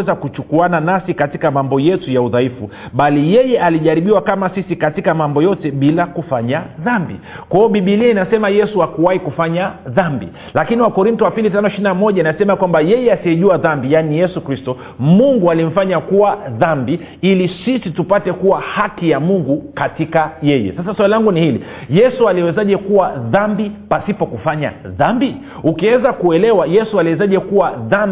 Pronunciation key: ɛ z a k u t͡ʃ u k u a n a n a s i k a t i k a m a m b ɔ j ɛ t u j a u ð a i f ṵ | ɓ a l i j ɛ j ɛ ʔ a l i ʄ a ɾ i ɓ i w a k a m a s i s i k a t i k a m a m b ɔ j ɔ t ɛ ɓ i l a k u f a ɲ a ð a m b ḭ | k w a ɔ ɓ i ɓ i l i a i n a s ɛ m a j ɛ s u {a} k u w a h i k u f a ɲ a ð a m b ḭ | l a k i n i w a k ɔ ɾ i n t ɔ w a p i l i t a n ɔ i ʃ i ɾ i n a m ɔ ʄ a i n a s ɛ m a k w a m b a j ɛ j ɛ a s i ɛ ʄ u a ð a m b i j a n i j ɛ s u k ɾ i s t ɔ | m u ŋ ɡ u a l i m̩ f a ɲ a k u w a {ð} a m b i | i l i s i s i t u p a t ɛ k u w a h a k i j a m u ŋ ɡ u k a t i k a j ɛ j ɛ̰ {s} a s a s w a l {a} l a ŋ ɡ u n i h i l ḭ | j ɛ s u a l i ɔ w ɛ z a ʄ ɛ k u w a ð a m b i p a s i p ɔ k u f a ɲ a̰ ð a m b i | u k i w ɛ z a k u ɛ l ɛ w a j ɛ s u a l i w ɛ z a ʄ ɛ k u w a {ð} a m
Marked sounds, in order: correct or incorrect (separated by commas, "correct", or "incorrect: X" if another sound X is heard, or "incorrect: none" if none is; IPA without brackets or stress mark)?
correct, correct, correct, incorrect: i, correct